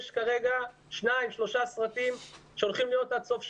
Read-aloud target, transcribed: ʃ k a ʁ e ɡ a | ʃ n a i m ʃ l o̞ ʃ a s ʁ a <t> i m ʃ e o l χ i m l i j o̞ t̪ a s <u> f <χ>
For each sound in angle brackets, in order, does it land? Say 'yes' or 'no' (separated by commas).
yes, no, no